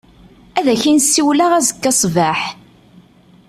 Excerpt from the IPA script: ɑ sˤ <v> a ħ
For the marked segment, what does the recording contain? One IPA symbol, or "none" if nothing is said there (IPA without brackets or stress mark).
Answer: v